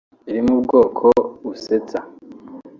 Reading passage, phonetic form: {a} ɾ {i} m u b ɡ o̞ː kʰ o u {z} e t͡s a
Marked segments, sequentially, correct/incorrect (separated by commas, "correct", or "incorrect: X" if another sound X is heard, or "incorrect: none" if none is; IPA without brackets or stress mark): incorrect: i, correct, incorrect: s